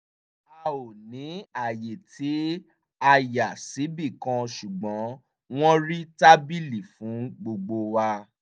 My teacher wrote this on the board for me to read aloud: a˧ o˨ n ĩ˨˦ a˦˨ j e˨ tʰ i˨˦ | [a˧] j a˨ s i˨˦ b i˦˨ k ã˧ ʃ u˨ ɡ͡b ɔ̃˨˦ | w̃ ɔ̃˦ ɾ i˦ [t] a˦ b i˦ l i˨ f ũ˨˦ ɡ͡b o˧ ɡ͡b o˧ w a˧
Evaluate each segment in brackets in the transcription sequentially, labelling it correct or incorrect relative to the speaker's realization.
correct, correct

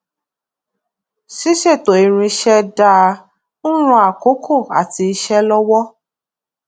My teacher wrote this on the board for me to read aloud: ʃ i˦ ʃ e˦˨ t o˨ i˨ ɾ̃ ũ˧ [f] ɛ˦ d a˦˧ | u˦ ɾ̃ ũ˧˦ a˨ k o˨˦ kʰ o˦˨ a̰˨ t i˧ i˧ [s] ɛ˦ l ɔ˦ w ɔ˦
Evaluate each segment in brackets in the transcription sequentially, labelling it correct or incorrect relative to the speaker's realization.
incorrect: ʃ, incorrect: ʃ

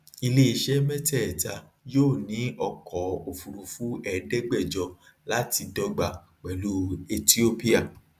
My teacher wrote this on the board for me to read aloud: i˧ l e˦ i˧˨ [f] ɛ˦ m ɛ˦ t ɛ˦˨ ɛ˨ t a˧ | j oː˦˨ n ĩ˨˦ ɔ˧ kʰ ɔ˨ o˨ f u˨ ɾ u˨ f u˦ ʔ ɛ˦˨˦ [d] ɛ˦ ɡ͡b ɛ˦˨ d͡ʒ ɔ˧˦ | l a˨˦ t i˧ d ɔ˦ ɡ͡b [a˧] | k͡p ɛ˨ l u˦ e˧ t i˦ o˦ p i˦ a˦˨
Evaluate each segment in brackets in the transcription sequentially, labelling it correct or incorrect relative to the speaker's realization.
incorrect: ʃ, correct, correct

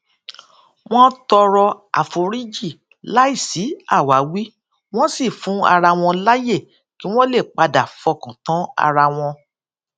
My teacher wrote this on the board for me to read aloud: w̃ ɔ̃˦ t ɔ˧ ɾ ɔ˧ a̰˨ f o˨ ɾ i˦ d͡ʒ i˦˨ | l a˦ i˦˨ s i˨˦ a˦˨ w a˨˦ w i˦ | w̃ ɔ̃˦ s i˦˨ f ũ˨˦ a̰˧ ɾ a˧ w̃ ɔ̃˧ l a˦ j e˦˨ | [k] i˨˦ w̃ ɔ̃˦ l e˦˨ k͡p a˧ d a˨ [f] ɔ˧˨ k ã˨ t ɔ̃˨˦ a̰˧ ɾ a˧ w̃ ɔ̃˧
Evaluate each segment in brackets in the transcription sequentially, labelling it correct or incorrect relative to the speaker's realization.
correct, correct

